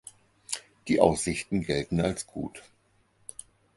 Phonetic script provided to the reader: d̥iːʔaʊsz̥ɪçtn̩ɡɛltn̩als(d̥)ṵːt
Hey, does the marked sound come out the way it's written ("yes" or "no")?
no